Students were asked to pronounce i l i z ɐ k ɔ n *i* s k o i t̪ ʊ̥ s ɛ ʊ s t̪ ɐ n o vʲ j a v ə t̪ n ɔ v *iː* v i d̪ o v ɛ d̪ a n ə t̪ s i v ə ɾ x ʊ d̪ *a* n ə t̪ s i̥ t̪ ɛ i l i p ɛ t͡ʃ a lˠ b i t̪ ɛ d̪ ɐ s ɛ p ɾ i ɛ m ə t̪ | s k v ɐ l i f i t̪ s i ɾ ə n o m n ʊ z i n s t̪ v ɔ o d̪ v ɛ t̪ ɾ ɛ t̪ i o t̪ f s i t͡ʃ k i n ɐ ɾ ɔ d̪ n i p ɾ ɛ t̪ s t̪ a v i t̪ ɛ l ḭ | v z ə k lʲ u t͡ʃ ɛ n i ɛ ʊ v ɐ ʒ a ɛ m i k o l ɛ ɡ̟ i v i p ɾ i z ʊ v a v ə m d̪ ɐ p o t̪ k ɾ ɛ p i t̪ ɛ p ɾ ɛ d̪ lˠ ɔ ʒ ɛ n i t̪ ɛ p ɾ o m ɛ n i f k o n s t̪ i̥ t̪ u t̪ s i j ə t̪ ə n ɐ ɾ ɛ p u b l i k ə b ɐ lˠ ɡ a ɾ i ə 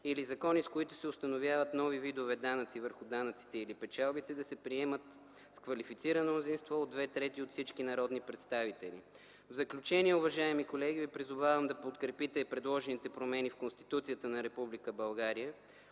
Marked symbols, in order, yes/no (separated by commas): yes, no, yes